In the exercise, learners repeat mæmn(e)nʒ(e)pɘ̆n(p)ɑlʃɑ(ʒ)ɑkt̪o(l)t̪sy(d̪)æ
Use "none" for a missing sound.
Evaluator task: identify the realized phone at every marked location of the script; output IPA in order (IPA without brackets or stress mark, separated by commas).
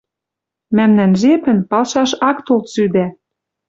æ, e, p, ʃ, l, d̪